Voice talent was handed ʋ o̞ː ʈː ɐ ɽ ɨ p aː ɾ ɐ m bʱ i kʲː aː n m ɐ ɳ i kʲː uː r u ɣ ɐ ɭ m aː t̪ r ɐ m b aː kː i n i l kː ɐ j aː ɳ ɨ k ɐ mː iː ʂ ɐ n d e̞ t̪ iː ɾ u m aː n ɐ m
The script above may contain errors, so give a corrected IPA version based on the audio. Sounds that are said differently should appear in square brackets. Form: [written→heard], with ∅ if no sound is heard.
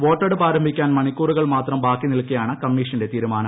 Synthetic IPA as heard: ʋ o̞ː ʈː ɐ ɽ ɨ p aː ɾ ɐ m bʱ i kʲː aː n m ɐ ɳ i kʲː uː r u ɣ ɐ ɭ m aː t̪ r ɐ m b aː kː i n i l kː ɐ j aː ɳ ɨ k ɐ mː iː ʂ ɐ n d e̞ t̪ iː ɾ u m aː n ɐ m